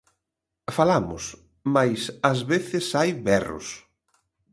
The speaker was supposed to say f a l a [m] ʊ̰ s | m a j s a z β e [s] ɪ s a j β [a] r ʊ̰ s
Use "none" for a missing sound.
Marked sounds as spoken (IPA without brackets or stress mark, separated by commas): m, θ, ɛ